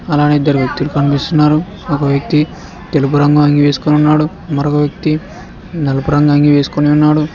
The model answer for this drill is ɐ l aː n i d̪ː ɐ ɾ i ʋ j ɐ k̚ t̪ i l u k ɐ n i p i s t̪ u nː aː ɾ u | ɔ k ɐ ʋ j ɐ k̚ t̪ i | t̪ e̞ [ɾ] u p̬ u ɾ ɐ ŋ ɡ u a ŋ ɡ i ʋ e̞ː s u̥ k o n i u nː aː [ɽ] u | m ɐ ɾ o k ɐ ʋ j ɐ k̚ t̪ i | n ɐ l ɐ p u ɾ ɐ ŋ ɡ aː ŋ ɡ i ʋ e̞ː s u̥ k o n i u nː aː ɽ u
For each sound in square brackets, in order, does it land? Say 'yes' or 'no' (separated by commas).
no, yes